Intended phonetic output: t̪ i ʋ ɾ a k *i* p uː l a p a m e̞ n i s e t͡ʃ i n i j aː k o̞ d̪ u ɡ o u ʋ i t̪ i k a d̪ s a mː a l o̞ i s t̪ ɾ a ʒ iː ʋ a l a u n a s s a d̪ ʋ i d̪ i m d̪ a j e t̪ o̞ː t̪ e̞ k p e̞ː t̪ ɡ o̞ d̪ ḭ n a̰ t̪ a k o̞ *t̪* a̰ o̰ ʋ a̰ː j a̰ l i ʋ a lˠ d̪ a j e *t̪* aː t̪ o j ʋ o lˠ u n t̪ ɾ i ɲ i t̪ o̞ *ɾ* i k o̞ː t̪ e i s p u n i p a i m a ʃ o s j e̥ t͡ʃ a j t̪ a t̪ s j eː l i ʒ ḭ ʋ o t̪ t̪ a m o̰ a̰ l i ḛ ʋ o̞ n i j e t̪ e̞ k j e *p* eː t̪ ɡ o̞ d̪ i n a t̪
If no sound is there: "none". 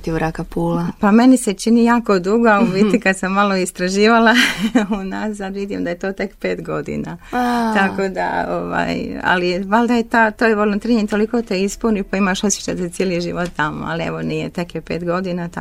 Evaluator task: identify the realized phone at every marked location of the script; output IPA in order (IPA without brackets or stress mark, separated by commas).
a, d̪, t̪, l, p